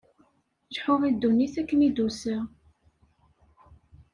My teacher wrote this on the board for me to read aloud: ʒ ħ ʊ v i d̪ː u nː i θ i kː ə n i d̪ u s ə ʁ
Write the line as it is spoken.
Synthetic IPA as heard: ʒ ħ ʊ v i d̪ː u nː i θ æ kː ə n i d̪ u s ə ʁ